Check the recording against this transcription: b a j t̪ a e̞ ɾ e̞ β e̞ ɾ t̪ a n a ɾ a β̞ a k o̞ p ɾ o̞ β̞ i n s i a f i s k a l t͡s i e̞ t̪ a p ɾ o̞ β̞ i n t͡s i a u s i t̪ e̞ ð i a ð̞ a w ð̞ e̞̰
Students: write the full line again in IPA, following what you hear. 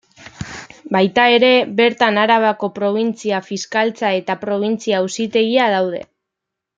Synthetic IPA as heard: b a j t̪ a e̞ ɾ e̞ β e̞ ɾ t̪ a n a ɾ a β̞ a k o̞ p ɾ o̞ β̞ i n t͡s i a f i s k a l t͡s a e̞ t̪ a p ɾ o̞ β̞ i n t͡s i a u s i t̪ e̞ ɣ i a ð̞ a w ð̞ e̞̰